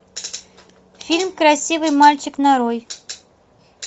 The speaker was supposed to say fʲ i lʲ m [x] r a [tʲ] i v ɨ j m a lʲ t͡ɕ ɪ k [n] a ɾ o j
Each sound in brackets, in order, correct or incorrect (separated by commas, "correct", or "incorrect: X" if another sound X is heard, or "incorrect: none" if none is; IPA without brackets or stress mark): incorrect: k, incorrect: sʲ, correct